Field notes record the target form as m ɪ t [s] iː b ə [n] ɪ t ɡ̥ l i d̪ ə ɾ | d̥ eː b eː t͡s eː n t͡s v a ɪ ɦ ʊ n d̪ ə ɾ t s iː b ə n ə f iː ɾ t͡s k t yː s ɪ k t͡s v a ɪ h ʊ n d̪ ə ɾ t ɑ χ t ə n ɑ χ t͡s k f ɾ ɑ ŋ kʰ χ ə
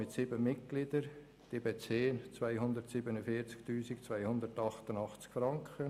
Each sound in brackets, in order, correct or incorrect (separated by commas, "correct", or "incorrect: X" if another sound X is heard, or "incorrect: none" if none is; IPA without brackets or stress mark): correct, incorrect: m